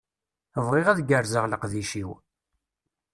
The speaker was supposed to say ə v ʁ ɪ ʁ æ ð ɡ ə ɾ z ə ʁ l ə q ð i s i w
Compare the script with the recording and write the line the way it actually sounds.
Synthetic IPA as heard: ə v ʁ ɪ ʁ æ ð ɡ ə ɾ z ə ʁ l ə q ð i ʃ i w